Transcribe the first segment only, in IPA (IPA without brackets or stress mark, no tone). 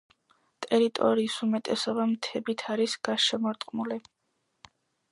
t̪ʼ